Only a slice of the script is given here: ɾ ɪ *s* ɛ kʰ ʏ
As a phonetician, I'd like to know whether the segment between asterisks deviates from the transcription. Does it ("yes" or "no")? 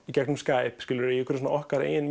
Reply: yes